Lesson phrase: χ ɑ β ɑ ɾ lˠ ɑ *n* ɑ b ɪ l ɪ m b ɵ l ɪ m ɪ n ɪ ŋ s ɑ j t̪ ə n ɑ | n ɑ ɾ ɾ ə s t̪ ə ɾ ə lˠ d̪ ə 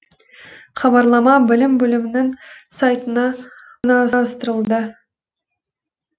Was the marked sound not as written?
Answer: yes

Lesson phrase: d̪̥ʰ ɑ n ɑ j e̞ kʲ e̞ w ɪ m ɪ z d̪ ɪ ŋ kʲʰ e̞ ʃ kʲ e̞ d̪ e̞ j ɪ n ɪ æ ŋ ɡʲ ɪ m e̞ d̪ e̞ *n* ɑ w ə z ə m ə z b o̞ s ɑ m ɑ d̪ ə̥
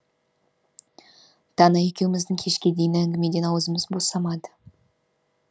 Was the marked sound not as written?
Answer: no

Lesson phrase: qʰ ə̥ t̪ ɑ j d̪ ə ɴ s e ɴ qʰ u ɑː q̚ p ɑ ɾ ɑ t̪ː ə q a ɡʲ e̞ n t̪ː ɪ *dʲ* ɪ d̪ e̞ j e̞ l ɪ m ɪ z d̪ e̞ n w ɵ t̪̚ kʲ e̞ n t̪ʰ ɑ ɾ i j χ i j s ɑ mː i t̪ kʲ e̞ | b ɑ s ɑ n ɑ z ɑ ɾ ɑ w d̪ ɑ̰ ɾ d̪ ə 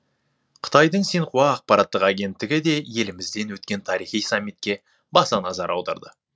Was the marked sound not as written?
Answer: yes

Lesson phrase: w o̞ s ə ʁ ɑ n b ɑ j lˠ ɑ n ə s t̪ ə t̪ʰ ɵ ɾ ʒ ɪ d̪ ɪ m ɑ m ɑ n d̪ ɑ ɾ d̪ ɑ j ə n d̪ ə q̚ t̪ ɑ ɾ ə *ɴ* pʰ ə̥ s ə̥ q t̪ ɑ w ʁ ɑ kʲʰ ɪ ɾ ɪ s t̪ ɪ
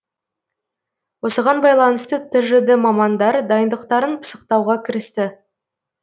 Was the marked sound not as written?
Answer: yes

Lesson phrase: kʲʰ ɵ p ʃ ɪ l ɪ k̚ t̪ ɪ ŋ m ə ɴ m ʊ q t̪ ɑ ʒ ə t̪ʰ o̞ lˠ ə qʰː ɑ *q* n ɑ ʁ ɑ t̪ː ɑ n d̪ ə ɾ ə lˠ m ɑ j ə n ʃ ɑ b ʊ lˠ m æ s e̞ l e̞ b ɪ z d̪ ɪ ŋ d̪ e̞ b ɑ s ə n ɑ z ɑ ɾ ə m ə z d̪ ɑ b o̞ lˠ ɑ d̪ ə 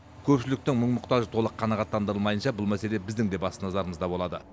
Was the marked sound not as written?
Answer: yes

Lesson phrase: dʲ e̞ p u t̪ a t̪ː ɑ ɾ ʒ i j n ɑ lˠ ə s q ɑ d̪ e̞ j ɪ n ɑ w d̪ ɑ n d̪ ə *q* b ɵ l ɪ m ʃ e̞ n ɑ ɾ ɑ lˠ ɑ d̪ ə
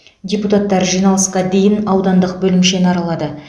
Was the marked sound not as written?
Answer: no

